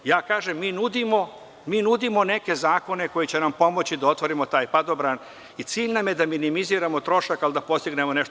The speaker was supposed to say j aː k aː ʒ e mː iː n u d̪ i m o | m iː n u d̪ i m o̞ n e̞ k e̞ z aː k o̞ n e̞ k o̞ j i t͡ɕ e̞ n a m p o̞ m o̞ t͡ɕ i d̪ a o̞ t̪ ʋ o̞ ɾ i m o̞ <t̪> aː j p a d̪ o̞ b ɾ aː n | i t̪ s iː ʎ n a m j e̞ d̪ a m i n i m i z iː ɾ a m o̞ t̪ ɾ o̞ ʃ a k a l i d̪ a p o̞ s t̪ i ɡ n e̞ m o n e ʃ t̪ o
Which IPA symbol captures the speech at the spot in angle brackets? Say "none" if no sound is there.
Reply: t̪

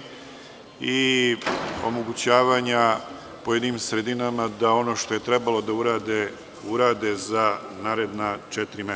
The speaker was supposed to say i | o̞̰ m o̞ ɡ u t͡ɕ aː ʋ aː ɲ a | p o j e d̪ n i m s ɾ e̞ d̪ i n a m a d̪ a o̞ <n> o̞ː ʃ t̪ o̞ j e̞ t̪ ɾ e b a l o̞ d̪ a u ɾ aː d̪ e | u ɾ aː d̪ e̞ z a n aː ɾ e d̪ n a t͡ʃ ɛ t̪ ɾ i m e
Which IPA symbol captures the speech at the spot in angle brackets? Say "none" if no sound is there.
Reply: n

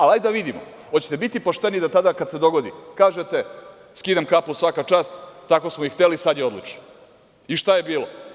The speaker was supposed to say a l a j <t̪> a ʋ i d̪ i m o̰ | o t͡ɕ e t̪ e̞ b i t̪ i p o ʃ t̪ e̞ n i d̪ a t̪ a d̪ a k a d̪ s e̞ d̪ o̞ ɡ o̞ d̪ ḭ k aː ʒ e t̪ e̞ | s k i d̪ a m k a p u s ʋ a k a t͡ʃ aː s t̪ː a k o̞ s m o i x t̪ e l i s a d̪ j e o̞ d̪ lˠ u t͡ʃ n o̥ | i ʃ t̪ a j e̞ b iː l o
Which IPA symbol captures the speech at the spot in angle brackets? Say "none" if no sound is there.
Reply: d̪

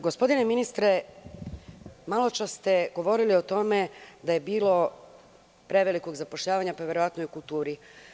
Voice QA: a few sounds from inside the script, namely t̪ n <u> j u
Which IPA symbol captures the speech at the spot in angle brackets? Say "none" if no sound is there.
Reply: o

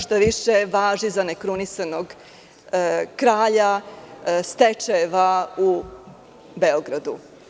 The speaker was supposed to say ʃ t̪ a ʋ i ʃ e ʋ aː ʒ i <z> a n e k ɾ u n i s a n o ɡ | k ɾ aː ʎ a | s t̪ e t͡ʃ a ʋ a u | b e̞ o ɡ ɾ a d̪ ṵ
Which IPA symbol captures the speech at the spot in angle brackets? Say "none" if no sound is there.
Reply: z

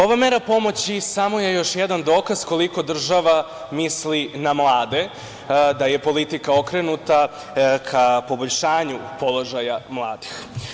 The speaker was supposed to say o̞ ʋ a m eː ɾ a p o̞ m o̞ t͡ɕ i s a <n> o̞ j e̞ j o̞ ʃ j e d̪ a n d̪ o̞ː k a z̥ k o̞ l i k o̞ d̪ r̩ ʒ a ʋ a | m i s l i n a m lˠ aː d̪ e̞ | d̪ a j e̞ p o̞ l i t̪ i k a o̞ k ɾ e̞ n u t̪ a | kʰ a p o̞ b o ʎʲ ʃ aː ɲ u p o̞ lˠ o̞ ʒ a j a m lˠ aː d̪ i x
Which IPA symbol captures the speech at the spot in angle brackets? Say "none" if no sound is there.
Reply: m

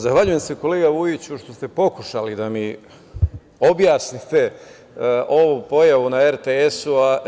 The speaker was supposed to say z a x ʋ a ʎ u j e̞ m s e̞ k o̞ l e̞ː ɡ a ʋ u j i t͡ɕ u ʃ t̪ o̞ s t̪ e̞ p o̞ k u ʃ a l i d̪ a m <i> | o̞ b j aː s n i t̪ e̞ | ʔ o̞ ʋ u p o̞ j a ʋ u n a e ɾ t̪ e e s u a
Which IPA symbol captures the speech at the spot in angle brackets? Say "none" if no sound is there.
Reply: i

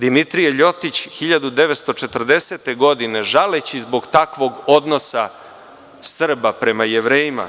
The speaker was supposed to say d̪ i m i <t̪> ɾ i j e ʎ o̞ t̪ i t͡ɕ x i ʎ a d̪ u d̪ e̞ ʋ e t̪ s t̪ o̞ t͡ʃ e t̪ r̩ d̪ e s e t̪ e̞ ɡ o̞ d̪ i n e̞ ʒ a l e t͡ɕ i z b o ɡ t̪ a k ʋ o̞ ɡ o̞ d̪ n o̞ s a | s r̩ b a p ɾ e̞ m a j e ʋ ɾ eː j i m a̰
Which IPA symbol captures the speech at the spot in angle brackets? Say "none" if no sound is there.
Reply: t̪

